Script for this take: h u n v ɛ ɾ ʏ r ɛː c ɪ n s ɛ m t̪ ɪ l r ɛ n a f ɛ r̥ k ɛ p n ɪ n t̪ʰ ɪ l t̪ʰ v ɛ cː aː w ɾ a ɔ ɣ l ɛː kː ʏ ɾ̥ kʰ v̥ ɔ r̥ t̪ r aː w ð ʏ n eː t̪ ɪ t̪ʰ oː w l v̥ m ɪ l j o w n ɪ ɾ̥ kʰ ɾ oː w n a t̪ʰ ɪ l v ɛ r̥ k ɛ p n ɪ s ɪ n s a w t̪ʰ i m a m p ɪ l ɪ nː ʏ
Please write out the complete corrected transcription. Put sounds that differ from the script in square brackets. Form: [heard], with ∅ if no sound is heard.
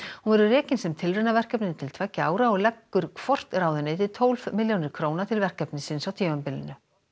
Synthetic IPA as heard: h u n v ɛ ɾ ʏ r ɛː c ɪ n s ɛ m [t̪ʰ] ɪ l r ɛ n a [v] ɛ r̥ k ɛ p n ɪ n t̪ʰ ɪ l t̪ʰ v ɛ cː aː w ɾ a ɔ ɣ l [ɛ] kː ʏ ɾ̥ kʰ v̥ ɔ r̥ t̪ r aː w ð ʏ n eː t̪ ɪ t̪ʰ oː w l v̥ m ɪ l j o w n ɪ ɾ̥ kʰ ɾ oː w n a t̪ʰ ɪ l v ɛ r̥ k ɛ p n ɪ s ɪ n s a w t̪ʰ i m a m p ɪ l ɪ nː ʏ